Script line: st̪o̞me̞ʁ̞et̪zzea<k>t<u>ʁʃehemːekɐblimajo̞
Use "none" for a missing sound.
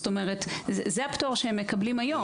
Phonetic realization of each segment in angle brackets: p, o

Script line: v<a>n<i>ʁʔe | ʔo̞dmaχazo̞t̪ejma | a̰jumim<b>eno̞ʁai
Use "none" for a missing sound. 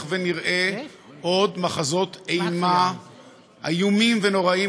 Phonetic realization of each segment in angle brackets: e, i, v

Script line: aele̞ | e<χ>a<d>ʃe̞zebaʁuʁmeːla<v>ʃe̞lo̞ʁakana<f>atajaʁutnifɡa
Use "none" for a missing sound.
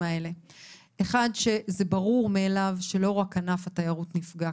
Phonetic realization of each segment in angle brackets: χ, d, v, f

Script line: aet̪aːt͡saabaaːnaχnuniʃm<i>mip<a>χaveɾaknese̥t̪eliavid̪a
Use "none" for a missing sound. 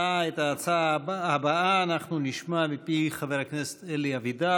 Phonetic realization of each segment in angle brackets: a, i

